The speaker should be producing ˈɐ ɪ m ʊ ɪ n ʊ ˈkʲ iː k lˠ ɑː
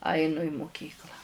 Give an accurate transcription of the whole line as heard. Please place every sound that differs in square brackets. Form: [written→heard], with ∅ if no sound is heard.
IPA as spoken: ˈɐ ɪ [m→n] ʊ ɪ [n→m] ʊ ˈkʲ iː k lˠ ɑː